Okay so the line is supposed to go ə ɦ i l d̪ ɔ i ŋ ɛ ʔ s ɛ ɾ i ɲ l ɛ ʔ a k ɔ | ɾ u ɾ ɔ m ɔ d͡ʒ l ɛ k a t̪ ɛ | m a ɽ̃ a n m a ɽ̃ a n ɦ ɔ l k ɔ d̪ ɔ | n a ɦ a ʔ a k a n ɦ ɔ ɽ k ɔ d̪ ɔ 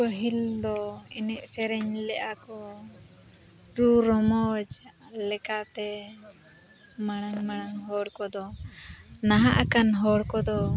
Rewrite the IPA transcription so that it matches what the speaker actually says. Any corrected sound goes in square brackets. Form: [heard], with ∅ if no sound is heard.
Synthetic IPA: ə ɦ i l d̪ ɔ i [n] ɛ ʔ s ɛ ɾ [ɛ] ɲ l ɛ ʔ a k ɔ | ɾ u ɾ ɔ m ɔ d͡ʒ l ɛ k a t̪ ɛ | m a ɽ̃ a [ŋ] m a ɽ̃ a [ŋ] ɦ ɔ [ɽ] k ɔ d̪ ɔ | n a ɦ a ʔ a k a n ɦ ɔ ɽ k ɔ d̪ ɔ